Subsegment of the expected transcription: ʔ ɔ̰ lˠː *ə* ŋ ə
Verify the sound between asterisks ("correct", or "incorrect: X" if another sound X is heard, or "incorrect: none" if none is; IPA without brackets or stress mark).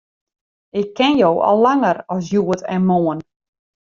incorrect: a